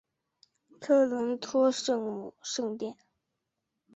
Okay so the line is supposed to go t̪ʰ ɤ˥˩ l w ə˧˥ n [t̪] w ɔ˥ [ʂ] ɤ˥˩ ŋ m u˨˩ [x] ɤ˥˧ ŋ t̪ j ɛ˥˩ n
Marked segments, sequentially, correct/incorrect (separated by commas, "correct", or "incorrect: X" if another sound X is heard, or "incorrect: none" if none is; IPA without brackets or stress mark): incorrect: t̪ʰ, correct, incorrect: ʂ